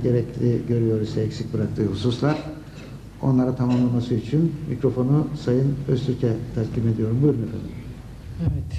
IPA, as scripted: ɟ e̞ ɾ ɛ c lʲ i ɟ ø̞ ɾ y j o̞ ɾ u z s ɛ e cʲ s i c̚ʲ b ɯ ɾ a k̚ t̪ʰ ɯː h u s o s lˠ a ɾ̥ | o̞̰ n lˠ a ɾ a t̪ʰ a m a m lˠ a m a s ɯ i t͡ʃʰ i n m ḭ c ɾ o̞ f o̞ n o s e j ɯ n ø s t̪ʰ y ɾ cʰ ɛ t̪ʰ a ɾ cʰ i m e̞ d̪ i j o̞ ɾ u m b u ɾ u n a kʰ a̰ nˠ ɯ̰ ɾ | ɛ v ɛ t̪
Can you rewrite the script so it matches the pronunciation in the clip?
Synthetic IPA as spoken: ɟ e̞ ɾ ɛ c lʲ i ɟ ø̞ ɾ y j o̞ ɾ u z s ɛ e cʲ s i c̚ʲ b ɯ ɾ a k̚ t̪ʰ ɯː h u s u s lˠ a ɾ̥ | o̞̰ n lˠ a ɾ a t̪ʰ a m a m lˠ a m a s ɯ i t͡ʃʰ i n m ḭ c ɾ o̞ f o̞ n u s a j ɯ n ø s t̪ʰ y ɾ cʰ ɛ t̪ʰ a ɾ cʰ i m e̞ d̪ i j o̞ ɾ u m b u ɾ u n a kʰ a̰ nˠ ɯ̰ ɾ | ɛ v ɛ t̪